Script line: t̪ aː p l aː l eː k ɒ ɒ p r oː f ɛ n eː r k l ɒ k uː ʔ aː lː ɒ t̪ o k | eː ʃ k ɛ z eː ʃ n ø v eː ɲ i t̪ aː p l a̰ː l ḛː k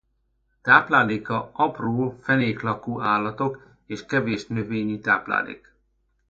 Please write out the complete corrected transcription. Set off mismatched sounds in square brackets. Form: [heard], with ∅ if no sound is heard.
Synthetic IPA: t̪ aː p l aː l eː k ɒ ɒ p r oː f ɛ n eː [∅] k l ɒ k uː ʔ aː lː ɒ t̪ o k | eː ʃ k ɛ [v] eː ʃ n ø v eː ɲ i t̪ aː p l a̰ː l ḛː k